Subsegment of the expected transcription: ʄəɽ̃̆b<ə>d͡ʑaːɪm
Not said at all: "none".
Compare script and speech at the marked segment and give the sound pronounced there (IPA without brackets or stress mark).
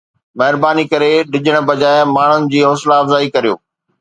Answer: ɐ